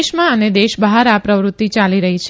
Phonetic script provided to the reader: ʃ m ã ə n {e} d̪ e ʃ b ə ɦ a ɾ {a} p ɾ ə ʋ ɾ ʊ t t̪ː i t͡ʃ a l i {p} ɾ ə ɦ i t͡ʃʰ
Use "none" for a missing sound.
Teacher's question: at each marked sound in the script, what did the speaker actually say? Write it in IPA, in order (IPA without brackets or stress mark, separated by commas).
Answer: e, a, none